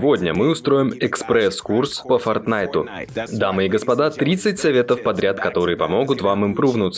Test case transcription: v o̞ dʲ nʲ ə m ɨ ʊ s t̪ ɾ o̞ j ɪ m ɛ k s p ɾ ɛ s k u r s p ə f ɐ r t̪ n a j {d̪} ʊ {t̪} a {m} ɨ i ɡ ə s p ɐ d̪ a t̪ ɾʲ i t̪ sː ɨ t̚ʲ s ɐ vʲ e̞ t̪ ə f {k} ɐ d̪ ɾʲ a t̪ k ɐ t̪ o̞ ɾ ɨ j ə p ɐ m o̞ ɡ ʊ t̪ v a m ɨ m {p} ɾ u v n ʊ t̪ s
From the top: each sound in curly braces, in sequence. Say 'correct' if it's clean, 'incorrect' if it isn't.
incorrect: t̪, incorrect: d̪, correct, incorrect: p, correct

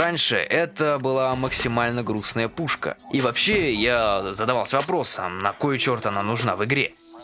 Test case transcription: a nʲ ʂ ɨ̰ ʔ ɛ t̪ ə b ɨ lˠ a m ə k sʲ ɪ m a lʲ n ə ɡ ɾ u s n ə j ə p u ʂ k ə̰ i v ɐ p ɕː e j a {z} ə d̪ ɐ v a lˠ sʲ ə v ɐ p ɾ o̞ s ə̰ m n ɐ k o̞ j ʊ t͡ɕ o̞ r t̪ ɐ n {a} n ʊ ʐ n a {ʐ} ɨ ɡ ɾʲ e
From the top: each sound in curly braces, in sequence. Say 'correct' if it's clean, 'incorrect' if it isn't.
correct, correct, incorrect: v

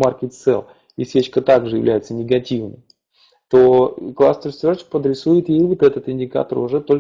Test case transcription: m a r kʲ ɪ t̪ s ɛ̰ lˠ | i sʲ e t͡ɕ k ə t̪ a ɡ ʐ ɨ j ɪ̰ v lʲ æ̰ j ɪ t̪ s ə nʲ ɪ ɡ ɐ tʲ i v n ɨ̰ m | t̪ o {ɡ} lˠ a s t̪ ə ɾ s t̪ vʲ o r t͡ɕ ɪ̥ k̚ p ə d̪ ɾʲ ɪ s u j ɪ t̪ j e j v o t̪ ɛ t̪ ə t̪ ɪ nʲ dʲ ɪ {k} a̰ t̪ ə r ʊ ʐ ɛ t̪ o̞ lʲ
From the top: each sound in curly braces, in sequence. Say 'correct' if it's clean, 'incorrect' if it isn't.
incorrect: k, correct

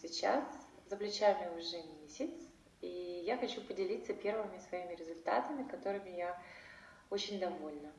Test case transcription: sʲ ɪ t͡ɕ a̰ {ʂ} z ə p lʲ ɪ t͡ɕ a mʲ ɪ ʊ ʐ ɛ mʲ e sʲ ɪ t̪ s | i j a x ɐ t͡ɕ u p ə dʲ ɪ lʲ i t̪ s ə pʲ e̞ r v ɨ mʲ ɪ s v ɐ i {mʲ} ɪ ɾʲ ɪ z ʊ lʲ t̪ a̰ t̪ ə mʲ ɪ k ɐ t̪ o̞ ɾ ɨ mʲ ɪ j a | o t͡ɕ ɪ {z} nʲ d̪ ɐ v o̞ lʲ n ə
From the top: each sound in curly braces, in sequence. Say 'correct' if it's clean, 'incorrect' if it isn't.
incorrect: s, correct, incorrect: none

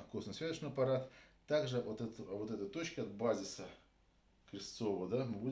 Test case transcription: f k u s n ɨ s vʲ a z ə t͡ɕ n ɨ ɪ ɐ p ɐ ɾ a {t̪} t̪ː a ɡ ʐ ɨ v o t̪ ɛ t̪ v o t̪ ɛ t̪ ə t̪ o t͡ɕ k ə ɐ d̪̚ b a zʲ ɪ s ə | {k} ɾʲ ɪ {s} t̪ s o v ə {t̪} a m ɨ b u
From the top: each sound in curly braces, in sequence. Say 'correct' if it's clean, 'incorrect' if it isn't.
correct, correct, correct, incorrect: d̪

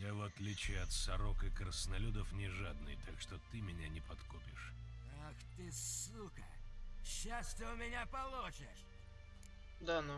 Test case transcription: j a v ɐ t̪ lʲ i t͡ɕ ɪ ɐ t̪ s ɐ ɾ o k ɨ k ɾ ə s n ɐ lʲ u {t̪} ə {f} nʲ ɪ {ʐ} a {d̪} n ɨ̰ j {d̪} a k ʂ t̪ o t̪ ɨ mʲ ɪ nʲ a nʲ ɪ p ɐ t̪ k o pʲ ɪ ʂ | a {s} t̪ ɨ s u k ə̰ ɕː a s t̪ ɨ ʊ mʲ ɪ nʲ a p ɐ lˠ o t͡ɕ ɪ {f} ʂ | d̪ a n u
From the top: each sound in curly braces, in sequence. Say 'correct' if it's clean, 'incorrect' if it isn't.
incorrect: d̪, correct, correct, correct, incorrect: t̪, incorrect: x, incorrect: none

